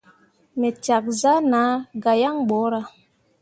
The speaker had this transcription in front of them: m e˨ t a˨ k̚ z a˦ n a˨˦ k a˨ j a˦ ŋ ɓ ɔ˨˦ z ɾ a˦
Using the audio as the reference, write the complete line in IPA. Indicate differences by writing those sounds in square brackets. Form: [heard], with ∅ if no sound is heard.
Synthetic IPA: m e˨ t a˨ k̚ z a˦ n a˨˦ [ɡ] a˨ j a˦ ŋ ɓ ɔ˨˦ [∅] ɾ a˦